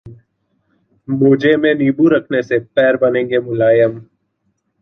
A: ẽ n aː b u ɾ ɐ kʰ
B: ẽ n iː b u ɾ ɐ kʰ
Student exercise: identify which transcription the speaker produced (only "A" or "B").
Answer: B